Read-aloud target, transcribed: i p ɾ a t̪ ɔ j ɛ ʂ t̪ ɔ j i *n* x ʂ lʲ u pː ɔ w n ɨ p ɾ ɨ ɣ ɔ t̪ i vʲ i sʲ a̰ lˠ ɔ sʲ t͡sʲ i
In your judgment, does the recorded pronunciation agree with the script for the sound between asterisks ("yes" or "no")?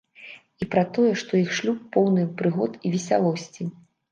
no